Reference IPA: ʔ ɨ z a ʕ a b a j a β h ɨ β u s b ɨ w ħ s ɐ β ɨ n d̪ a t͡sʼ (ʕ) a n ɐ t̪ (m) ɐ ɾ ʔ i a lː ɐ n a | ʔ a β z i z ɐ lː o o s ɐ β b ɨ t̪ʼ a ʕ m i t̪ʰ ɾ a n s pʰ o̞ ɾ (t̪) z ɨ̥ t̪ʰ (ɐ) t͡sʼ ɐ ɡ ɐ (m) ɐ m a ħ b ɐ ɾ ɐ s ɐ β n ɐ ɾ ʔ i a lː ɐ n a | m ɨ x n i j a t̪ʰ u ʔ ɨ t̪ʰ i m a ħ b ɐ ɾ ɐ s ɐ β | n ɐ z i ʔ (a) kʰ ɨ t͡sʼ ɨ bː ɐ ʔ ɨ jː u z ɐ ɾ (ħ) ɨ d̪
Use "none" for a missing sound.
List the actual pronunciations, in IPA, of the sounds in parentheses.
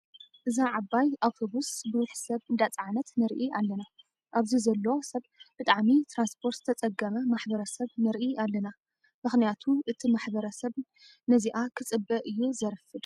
ʕ, n, t̪, ɐ, m, a, f

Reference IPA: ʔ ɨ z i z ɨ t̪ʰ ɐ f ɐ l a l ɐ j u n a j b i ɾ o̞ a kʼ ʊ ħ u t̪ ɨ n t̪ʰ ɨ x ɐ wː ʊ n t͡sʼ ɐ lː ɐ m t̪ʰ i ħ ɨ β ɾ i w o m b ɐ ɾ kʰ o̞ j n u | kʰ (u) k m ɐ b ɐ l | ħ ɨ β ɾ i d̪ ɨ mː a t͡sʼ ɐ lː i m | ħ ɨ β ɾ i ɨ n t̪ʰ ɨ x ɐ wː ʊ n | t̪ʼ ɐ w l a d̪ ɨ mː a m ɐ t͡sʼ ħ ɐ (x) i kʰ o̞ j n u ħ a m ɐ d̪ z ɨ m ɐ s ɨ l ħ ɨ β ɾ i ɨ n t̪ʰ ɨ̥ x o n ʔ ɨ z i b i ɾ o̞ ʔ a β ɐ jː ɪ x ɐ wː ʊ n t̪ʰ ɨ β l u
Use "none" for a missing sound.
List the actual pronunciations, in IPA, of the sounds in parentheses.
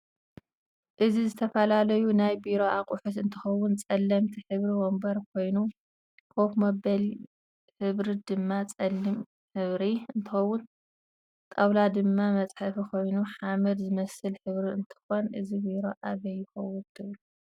o, f

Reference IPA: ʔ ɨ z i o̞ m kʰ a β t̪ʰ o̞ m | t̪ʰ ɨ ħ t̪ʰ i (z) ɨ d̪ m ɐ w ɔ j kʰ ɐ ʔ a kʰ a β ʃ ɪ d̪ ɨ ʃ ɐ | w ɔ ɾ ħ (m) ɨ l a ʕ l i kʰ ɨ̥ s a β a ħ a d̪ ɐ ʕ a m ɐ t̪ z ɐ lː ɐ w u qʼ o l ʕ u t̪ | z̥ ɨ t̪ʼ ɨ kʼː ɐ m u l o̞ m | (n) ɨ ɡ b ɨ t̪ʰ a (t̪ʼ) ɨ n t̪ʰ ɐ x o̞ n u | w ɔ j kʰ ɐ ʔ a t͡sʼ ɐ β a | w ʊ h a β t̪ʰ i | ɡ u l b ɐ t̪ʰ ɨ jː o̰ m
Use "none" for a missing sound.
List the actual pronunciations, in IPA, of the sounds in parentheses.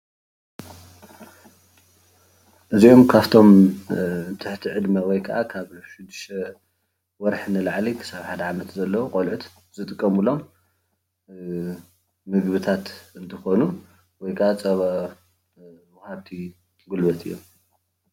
ʕ, n, m, t̪

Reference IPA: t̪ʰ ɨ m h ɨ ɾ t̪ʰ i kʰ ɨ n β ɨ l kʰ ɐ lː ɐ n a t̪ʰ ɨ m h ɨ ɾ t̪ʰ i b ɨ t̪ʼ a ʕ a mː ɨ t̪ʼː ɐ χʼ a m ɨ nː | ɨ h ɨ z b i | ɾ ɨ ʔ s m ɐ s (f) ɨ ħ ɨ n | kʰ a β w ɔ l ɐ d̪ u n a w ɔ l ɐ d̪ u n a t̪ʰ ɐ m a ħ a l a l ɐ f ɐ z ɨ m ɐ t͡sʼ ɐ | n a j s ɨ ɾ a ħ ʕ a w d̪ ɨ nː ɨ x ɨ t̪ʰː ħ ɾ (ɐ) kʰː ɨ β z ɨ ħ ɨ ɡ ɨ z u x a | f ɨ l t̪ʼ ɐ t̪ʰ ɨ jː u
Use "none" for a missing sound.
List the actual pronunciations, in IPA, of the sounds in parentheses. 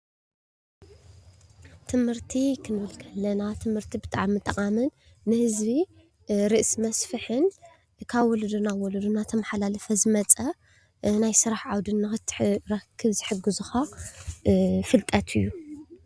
f, ɐ

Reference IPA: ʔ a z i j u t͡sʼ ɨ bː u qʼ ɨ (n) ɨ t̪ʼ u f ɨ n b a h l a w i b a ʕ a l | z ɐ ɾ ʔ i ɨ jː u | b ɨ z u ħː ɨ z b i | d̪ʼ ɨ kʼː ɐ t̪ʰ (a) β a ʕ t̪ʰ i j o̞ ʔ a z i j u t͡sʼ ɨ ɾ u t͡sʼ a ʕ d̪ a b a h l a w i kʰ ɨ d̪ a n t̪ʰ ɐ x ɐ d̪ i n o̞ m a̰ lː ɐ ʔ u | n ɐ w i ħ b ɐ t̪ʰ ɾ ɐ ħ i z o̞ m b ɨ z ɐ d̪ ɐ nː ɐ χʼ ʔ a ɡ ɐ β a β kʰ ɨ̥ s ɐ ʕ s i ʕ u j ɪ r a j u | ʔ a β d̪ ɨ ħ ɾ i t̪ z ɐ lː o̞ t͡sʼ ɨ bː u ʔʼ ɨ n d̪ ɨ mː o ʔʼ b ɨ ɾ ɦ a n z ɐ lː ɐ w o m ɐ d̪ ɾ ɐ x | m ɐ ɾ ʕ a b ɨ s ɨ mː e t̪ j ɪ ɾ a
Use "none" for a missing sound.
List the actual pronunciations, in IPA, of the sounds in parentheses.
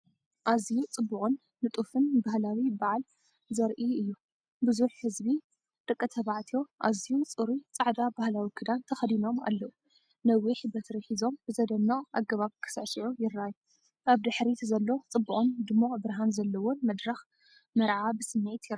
nː, ɐ

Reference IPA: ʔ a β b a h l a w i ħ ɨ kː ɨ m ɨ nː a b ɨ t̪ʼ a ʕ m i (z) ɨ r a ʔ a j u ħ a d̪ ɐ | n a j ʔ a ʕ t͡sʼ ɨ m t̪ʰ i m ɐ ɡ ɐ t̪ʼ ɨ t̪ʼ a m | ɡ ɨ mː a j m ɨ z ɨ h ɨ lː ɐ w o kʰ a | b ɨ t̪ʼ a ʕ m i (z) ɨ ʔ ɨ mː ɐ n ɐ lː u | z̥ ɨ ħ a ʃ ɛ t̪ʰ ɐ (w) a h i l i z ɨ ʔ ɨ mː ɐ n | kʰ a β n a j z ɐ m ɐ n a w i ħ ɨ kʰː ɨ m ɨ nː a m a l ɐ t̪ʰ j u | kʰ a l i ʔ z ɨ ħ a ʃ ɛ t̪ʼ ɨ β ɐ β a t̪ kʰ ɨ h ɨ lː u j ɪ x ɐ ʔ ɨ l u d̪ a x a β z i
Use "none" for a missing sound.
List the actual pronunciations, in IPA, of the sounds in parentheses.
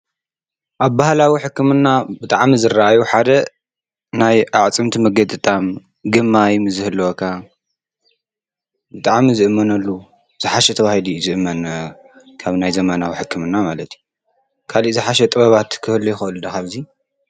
z, z, β

